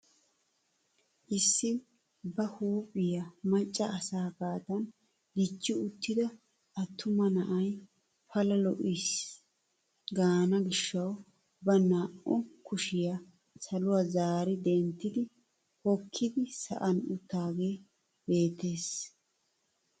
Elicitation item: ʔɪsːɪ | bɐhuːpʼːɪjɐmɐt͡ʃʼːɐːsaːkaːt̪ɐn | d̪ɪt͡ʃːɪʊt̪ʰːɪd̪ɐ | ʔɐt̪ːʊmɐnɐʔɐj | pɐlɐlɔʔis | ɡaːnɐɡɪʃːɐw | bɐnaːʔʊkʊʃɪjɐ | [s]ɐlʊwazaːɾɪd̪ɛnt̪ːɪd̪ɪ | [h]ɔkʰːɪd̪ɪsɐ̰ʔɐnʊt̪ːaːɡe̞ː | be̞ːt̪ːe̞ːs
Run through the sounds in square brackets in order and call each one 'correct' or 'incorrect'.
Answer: correct, correct

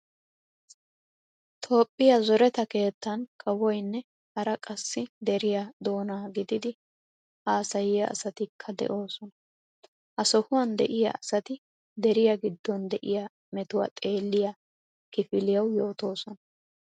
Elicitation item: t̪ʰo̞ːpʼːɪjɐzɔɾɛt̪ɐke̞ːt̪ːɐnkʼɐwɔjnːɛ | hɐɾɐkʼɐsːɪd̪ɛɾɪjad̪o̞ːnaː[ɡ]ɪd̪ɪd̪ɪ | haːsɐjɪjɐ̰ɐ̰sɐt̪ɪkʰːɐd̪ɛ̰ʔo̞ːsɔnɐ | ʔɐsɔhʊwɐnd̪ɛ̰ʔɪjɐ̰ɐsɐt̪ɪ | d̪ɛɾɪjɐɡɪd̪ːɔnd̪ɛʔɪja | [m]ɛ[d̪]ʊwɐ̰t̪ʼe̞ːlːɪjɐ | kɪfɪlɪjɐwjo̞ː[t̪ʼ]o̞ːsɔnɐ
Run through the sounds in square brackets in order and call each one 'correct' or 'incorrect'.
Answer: correct, correct, incorrect, incorrect

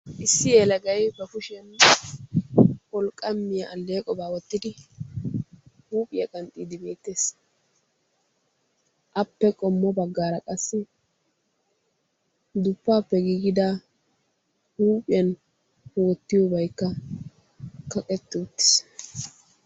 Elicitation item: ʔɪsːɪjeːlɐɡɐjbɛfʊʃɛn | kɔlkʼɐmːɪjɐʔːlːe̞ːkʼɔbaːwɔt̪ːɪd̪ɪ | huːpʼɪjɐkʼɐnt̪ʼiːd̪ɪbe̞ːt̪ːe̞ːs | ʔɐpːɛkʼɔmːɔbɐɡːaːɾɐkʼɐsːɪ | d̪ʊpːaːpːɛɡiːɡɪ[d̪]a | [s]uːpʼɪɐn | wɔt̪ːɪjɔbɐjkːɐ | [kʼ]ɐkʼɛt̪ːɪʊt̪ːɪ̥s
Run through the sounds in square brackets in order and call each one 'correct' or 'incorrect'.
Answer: correct, incorrect, incorrect

